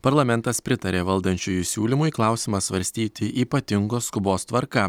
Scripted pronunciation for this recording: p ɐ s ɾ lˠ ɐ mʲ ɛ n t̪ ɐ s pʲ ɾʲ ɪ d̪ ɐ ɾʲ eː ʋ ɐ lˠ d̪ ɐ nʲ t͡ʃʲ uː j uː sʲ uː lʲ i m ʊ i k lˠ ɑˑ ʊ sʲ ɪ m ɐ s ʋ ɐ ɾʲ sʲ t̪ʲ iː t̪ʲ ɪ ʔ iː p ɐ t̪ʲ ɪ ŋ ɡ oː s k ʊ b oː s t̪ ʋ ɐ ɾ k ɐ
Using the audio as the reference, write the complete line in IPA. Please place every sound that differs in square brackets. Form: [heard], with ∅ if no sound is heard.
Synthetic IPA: p ɐ [∅] ɾ lˠ ɐ mʲ ɛ n t̪ ɐ s pʲ ɾʲ ɪ [t̪] ɐ ɾʲ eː ʋ ɐ lˠ d̪ ɐ nʲ t͡ʃʲ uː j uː sʲ uː lʲ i m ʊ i k lˠ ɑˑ ʊ sʲ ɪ m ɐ s ʋ ɐ ɾʲ sʲ t̪ʲ iː t̪ʲ ɪ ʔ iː p ɐ t̪ʲ ɪ ŋ ɡ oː s k ʊ b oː s t̪ ʋ ɐ ɾ k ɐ